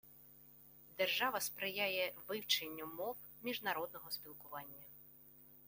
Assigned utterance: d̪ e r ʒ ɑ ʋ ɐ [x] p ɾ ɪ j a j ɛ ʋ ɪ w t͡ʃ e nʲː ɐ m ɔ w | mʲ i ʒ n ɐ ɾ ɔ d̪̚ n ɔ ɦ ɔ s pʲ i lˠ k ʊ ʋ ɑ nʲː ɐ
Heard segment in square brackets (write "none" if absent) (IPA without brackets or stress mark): s